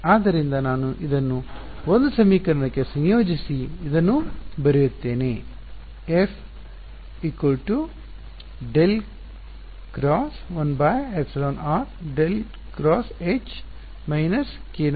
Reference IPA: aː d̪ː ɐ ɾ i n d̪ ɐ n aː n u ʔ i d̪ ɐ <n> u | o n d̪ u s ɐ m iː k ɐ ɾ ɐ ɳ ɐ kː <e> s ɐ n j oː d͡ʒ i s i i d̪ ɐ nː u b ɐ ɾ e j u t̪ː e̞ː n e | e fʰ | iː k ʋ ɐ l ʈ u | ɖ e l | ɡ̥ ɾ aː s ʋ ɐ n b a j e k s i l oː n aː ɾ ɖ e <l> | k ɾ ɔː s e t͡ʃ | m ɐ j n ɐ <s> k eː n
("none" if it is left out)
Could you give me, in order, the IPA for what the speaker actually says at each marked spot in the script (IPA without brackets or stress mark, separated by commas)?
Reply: nː, e, l, s